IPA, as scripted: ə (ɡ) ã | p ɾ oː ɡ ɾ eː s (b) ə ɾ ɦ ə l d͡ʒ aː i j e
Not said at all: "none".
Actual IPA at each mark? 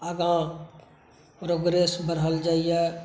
ɡ, b

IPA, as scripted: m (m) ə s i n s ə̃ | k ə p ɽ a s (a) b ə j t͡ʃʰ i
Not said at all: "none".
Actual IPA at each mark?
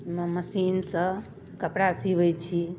m, i

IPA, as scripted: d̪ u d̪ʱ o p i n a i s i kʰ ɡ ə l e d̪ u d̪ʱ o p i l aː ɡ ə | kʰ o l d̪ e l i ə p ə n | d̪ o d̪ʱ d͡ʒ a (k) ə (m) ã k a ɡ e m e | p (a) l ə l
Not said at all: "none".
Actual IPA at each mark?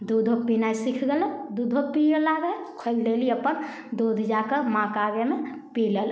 k, m, i

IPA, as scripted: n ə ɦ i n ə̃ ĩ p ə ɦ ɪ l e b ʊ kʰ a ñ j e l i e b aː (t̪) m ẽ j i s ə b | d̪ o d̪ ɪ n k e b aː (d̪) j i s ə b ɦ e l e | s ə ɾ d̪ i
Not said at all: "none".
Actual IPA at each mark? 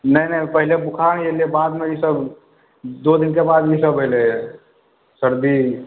d̪, d̪

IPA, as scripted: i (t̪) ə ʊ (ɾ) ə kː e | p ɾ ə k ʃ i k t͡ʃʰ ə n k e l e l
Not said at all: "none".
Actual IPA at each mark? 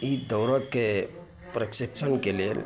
d̪, ɾ

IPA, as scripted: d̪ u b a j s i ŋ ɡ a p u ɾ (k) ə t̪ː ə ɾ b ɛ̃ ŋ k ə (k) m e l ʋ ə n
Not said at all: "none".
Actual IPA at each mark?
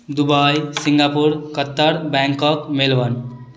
k, k

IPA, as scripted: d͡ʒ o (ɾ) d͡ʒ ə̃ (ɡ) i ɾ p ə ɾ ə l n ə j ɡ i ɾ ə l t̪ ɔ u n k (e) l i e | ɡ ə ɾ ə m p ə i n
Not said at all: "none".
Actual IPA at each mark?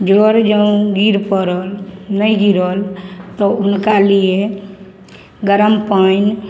ɾ, ɡ, a

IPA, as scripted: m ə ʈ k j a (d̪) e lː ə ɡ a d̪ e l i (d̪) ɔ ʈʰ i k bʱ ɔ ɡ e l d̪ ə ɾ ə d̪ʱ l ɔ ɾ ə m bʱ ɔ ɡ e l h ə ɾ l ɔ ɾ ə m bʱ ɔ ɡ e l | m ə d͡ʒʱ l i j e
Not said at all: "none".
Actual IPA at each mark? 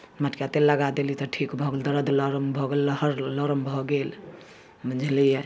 t̪, t̪

